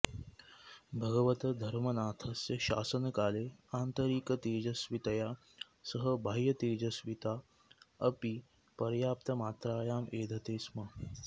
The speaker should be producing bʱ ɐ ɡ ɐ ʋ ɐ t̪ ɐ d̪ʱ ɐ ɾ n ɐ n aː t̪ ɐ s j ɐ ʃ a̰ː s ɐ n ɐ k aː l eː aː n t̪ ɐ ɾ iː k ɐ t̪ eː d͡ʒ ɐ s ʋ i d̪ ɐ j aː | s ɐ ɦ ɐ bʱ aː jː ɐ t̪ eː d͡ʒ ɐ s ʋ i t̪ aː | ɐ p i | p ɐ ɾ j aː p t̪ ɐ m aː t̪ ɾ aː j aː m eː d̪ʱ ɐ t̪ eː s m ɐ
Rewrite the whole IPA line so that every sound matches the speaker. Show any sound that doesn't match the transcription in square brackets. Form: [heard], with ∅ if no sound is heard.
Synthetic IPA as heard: bʱ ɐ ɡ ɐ ʋ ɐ t̪ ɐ d̪ʱ ɐ ɾ [m] ɐ n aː [t̪ʰ] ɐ s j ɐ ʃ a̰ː s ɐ n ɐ k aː l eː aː n t̪ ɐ ɾ iː k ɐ t̪ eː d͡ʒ ɐ s ʋ i [t̪] ɐ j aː | s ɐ ɦ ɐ bʱ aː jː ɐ t̪ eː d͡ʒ ɐ s ʋ i t̪ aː | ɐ p i | p ɐ ɾ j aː p t̪ ɐ m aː t̪ ɾ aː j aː m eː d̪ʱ ɐ t̪ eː s m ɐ